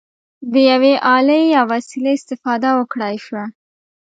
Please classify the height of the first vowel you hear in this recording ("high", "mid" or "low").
mid